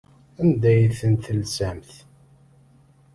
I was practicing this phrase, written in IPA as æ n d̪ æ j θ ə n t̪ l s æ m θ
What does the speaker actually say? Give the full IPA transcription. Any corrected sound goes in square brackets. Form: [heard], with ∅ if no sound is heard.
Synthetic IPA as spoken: æ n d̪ æ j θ ə n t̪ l s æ m θ